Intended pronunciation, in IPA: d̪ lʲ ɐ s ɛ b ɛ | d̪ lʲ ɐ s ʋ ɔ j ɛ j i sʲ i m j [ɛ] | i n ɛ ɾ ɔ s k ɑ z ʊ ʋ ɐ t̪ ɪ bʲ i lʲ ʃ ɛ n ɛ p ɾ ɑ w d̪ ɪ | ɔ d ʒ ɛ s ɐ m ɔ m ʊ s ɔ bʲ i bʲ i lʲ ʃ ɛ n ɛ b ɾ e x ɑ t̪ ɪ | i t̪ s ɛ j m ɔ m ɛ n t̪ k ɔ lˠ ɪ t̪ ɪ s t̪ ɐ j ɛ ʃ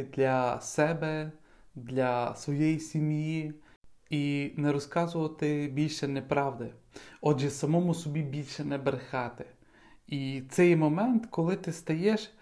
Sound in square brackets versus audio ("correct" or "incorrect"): incorrect